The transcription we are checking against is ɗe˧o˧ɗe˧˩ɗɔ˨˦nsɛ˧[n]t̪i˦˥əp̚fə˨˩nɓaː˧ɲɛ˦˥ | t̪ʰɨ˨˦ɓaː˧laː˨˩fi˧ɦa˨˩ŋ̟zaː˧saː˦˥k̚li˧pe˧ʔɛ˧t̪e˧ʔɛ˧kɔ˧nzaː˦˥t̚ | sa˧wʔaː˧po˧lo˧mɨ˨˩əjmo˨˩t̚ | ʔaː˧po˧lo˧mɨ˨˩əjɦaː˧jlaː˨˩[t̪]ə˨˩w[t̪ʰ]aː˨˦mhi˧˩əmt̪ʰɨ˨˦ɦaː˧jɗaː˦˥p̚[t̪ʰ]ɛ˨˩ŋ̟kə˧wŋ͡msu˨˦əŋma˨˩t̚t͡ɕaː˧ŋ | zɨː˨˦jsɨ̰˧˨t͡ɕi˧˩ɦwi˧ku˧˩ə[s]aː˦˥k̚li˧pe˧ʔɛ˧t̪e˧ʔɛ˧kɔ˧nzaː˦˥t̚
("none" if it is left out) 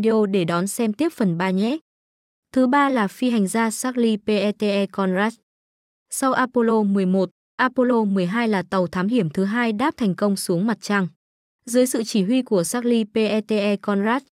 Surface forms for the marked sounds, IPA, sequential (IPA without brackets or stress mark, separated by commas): m, t̪, t̪ʰ, t̪ʰ, s